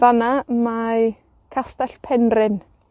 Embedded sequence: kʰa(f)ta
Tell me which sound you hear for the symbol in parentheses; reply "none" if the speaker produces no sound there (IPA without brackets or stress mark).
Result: s